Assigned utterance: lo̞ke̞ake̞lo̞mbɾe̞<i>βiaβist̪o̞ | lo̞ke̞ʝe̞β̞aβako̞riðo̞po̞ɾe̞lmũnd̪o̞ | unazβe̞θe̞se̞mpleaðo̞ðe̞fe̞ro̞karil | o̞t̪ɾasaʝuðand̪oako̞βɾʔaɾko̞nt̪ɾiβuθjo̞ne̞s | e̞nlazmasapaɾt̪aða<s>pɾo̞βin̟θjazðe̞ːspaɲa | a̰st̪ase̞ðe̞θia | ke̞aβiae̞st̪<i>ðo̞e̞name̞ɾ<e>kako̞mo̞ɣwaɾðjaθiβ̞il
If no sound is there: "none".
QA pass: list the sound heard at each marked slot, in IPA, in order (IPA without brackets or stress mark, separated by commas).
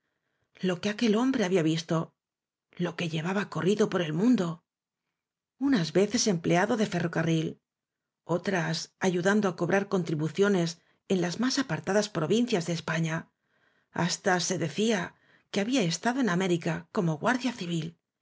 a, s, a, i